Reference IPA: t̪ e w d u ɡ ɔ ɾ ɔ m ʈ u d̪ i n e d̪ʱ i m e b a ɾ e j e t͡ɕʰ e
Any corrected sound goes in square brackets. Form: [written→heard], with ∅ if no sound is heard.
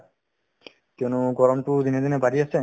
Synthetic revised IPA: t̪ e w [d→n] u ɡ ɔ ɾ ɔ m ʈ u d̪ i n e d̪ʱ i [m→n] e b a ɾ [e→i] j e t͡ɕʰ e